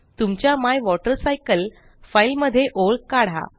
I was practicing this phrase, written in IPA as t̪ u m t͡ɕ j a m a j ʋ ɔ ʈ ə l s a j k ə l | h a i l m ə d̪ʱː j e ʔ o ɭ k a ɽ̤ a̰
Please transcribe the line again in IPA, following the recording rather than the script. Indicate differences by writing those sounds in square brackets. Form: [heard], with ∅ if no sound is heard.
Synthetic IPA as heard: t̪ u m t͡ɕ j a m a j ʋ ɔ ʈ ə [ɾ] s a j k ə l | [f] a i l m ə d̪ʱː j e ʔ o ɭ k a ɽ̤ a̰